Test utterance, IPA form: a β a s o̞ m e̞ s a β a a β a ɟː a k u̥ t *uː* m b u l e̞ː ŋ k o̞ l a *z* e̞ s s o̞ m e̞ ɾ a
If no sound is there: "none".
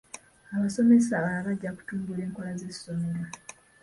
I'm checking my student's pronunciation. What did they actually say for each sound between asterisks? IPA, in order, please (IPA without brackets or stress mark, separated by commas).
uː, z